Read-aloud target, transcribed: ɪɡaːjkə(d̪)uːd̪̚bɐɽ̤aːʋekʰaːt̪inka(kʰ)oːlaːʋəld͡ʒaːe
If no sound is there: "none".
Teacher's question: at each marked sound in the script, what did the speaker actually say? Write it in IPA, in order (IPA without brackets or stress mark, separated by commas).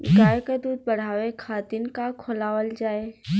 d̪, kʰ